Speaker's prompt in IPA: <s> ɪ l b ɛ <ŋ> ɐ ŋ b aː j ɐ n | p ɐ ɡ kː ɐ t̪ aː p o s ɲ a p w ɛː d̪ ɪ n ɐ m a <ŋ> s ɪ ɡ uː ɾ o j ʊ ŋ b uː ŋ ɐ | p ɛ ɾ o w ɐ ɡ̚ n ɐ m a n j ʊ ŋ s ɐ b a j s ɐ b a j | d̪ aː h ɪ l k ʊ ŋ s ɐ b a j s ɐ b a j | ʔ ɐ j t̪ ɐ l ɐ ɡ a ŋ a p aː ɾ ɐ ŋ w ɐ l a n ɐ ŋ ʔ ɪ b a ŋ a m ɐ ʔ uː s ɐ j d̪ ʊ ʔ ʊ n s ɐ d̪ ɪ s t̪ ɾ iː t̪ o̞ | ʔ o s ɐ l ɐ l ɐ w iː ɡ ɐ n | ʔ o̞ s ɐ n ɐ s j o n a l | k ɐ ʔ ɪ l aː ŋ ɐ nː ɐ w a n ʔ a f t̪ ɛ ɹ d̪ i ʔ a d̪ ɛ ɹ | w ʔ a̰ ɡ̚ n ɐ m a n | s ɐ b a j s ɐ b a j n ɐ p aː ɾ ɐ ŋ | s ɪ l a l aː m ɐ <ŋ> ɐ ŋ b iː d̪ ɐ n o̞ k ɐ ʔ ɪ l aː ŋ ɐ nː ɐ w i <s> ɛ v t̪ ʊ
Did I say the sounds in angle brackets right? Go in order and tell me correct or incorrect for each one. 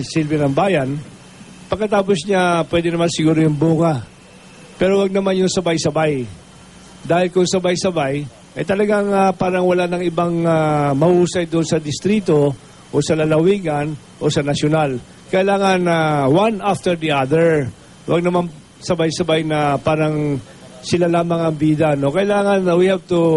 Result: correct, incorrect, incorrect, correct, incorrect

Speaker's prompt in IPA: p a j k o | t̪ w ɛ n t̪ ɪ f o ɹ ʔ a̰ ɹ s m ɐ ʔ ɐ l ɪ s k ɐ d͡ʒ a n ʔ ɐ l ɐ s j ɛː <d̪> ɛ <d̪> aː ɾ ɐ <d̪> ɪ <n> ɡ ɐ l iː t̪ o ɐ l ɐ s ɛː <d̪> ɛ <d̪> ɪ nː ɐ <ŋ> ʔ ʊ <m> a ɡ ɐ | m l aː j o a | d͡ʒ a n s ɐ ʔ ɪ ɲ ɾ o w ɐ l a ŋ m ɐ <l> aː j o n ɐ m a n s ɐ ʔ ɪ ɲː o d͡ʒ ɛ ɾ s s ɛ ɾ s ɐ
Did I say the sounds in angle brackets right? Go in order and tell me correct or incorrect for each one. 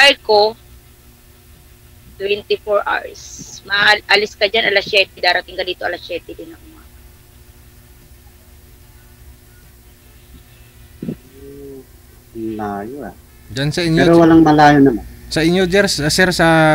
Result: incorrect, correct, incorrect, incorrect, incorrect, correct, correct, correct, correct

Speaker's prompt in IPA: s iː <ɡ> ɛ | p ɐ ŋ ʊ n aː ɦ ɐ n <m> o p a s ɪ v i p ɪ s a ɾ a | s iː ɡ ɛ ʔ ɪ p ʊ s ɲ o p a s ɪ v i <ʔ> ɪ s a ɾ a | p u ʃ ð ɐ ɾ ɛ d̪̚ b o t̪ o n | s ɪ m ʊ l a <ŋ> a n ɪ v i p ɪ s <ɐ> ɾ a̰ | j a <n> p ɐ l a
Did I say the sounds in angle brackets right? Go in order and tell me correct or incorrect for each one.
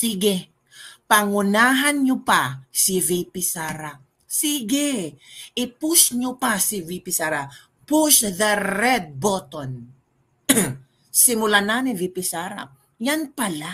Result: correct, incorrect, incorrect, incorrect, incorrect, correct

